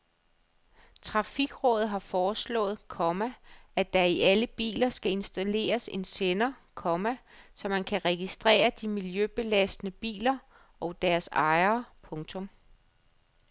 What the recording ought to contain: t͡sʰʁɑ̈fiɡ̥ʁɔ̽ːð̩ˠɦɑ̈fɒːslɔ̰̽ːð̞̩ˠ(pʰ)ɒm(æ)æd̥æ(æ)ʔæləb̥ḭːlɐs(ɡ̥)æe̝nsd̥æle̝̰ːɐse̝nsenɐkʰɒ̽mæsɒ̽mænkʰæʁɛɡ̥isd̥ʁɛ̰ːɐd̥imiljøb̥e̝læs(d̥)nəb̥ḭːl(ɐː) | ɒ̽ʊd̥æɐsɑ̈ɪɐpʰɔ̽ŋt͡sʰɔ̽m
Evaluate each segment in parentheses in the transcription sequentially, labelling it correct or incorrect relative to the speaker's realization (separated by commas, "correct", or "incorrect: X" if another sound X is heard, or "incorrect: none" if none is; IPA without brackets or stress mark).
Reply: incorrect: kʰ, correct, incorrect: i, correct, correct, incorrect: ɐ